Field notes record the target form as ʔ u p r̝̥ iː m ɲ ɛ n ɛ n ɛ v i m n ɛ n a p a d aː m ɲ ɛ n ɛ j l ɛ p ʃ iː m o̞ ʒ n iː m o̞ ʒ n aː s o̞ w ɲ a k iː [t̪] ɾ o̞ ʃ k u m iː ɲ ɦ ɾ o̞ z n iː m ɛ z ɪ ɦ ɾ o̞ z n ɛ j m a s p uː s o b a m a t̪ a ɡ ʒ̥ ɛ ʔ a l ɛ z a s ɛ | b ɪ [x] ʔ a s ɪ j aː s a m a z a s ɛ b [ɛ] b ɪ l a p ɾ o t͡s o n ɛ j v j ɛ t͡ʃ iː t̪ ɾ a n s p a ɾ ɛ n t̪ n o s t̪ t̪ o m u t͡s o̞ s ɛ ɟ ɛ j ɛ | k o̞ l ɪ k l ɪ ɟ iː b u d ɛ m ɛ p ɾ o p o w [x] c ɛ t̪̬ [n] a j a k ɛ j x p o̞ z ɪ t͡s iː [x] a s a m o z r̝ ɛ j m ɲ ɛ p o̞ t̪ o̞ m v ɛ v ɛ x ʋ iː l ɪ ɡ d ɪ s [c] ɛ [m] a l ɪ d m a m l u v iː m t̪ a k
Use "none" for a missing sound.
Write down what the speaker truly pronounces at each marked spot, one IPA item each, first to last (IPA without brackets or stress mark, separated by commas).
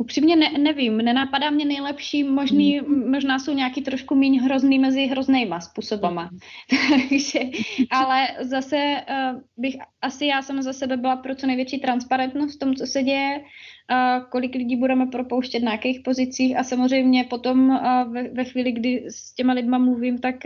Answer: t̪, x, ɛ, ʃ, n, x, c, m